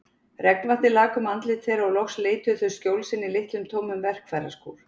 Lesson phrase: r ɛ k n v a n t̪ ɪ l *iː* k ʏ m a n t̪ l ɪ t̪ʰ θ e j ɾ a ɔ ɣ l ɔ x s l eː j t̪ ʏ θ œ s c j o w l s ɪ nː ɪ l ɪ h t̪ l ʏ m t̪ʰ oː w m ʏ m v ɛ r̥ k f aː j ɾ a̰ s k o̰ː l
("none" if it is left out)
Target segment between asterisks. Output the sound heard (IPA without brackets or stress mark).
aː